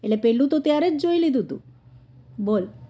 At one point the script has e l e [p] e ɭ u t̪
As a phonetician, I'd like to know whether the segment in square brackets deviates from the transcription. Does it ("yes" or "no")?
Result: no